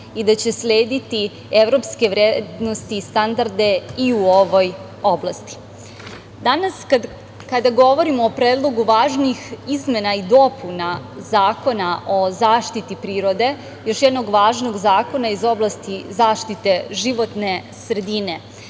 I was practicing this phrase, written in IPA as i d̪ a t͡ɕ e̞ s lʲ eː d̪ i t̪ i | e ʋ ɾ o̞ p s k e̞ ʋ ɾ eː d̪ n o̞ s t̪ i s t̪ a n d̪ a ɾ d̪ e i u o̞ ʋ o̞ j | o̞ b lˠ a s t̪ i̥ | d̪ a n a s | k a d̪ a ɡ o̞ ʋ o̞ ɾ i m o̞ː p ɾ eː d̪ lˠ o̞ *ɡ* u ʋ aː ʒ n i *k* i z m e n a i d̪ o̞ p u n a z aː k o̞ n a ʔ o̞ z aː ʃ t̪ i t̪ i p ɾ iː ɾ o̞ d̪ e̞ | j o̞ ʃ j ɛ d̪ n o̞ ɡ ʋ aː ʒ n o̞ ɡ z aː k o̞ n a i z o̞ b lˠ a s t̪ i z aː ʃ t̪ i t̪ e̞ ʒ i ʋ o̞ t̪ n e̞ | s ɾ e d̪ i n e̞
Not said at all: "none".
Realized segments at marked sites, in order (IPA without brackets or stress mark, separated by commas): ɡ, x